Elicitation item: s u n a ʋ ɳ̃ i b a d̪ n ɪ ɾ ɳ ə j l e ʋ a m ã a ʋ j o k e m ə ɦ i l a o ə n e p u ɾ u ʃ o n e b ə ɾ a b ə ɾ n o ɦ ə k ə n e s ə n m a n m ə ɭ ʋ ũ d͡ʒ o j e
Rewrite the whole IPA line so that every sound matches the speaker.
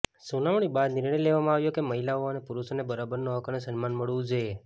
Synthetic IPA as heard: s u n a ʋ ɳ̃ i b a d̪ n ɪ ɾ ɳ ə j l e ʋ a m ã a ʋ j o k e m ə ɦ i l a o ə n e p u ɾ u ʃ o n e b ə ɾ a b ə ɾ n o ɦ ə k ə n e s ə n m a n m ə ɭ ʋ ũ d͡ʒ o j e